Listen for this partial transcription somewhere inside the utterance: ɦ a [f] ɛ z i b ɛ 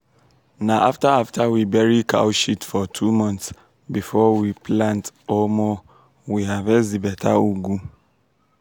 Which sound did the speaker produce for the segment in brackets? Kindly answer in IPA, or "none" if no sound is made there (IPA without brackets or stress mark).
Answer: v